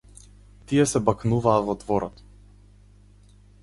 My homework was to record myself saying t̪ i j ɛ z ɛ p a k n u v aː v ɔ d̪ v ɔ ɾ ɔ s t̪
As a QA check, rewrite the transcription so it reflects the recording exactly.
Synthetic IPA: t̪ i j ɛ s ɛ b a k n u v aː v ɔ d̪ v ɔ ɾ ɔ t̪